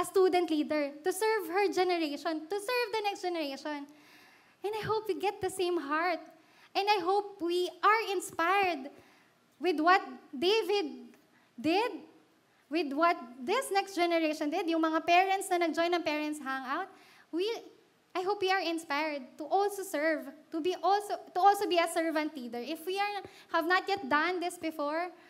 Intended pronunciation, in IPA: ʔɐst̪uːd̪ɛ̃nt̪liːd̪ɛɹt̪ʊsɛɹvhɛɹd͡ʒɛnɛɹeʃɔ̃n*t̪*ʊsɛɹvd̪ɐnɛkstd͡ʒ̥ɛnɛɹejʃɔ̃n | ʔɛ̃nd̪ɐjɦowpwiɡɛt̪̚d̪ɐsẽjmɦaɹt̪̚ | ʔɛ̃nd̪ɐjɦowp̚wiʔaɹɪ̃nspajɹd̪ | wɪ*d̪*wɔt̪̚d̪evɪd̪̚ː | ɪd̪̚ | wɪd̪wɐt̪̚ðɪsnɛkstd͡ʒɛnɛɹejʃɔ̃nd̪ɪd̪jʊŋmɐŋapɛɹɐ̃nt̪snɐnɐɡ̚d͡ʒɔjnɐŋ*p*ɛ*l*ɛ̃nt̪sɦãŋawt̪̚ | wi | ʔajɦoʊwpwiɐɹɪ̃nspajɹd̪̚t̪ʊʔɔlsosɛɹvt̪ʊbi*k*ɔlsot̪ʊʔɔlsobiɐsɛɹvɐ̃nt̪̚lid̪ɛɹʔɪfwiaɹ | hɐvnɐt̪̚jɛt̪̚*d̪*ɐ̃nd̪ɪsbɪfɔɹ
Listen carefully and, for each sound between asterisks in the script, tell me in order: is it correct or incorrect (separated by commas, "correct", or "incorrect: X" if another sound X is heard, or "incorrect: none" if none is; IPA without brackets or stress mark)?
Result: correct, correct, correct, incorrect: ɹ, incorrect: ʔ, correct